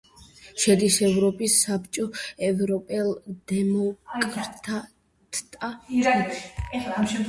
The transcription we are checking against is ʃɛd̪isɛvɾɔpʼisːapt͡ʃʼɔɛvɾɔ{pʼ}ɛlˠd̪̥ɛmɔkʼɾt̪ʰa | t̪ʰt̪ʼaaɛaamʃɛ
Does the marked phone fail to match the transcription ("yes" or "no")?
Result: no